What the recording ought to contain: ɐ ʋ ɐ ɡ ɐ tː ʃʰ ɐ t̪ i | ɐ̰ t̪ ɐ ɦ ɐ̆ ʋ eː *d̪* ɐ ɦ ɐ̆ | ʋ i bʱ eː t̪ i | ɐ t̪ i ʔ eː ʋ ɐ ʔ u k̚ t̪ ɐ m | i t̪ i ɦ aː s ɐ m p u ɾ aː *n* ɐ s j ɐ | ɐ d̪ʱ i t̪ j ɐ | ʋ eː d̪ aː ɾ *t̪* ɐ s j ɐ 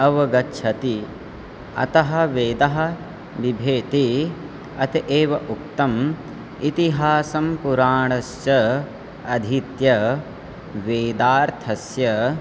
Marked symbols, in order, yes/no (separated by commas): yes, no, no